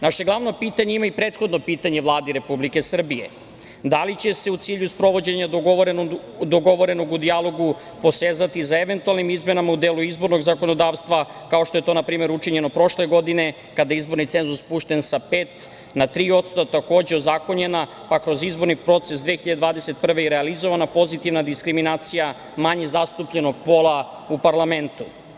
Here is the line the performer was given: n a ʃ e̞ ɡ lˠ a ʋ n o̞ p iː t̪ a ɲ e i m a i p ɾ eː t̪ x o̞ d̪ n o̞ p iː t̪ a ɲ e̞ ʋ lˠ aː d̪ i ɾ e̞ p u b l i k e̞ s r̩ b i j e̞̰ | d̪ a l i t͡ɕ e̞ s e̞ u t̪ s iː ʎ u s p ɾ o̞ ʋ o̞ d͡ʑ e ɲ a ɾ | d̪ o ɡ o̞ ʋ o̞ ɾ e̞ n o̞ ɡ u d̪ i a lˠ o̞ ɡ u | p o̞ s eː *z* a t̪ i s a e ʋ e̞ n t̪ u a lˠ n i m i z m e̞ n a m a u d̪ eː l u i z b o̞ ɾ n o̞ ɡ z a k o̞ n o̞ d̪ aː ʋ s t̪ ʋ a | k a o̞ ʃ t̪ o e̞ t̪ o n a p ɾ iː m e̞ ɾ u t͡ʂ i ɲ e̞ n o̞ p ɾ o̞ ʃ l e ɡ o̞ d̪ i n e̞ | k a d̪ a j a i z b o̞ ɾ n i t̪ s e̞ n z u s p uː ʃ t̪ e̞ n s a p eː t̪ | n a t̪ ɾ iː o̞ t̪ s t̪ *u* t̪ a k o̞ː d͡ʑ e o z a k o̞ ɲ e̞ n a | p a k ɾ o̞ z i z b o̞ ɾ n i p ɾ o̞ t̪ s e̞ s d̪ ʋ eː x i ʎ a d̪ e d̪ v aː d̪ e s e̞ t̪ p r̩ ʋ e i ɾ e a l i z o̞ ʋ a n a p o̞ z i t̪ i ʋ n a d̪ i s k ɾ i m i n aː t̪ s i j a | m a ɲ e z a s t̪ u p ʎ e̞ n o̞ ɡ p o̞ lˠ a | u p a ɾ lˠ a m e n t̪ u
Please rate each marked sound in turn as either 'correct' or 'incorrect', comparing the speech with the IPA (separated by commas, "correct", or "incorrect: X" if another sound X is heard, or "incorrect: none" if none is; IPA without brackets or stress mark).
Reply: correct, incorrect: o